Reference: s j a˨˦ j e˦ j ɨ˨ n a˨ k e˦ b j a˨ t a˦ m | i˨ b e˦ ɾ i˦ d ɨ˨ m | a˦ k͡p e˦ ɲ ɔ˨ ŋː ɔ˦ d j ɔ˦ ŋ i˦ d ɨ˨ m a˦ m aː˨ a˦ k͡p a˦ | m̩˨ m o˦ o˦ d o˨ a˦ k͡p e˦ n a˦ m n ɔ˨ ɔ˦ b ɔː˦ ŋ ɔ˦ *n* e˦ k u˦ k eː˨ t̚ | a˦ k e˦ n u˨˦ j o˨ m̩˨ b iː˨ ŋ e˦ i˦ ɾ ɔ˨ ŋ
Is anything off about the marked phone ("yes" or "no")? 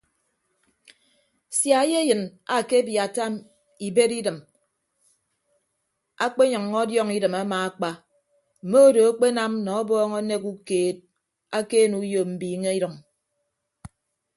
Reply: no